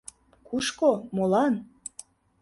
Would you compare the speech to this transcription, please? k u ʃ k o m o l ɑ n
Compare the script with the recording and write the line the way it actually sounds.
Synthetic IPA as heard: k u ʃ k o m o l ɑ n